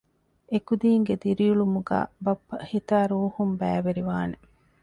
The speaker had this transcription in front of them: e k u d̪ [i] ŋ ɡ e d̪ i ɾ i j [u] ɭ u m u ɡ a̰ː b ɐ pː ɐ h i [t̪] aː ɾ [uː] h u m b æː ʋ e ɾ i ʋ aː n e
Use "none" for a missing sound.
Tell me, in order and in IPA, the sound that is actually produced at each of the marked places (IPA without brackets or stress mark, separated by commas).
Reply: iː, u, t̪, uː